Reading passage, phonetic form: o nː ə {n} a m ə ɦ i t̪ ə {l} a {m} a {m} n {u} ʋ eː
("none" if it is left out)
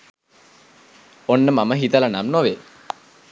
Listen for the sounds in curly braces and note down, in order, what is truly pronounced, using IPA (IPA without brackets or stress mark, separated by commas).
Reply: m, l, n, m, o